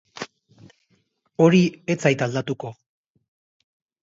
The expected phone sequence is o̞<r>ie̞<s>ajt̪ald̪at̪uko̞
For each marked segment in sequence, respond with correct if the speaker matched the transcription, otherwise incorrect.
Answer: incorrect, incorrect

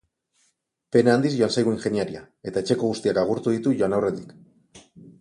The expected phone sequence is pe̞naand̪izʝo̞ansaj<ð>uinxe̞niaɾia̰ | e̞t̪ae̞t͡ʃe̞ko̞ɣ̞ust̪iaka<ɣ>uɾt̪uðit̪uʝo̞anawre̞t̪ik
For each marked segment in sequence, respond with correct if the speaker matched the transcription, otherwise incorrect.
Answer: incorrect, correct

